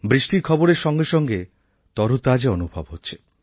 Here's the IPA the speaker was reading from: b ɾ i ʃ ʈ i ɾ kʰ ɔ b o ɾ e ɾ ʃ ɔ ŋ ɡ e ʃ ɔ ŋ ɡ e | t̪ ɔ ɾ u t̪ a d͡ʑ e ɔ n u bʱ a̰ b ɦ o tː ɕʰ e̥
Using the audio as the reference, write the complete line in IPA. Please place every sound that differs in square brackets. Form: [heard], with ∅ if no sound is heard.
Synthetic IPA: b ɾ i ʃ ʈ i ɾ kʰ ɔ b o ɾ e ɾ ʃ ɔ ŋ ɡ e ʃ ɔ ŋ ɡ e | t̪ ɔ ɾ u t̪ a d͡ʑ e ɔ n u bʱ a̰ b ɦ o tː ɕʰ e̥